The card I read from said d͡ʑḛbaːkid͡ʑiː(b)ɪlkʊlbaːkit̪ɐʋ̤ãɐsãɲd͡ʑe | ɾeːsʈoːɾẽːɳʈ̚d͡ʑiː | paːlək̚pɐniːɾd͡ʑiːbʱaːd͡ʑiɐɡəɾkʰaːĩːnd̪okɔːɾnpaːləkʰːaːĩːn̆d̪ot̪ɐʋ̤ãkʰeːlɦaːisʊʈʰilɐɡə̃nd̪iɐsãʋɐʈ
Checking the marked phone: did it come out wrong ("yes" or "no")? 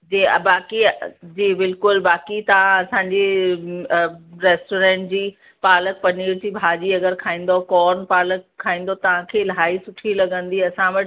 no